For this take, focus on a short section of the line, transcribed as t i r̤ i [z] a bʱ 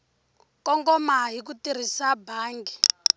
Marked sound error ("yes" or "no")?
yes